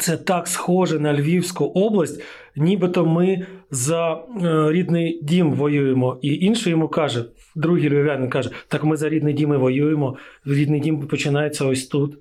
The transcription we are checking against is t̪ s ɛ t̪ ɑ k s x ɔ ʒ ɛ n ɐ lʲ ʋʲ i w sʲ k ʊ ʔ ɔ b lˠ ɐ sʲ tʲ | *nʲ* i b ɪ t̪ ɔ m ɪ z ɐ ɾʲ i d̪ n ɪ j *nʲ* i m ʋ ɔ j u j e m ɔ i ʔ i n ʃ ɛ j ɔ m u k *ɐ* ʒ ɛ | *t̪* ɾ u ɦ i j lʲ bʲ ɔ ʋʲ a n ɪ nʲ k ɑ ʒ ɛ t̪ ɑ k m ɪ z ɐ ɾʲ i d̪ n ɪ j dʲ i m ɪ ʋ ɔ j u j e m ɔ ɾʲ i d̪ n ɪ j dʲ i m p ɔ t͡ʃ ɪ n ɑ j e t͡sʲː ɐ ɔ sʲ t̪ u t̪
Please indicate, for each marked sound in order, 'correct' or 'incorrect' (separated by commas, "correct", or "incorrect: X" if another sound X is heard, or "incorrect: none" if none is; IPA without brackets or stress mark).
correct, incorrect: dʲ, incorrect: ɑ, incorrect: d̪